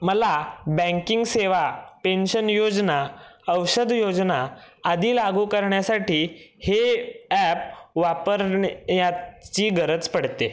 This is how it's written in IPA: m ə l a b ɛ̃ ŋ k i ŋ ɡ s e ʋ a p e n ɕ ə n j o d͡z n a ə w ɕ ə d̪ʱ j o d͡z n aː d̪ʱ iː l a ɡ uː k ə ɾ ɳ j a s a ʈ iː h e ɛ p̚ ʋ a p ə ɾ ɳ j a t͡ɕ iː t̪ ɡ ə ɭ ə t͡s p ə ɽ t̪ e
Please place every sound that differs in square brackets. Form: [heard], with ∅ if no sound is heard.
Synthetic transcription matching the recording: m ə l a b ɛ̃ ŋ k i ŋ ɡ s e ʋ a p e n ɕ ə n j o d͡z n a ə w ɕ ə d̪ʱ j o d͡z n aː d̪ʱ iː l a ɡ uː k ə ɾ ɳ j a s a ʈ iː h e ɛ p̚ ʋ a p ə ɾ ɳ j a t͡ɕ iː [∅] ɡ ə [ɾ] ə t͡s p ə ɽ t̪ e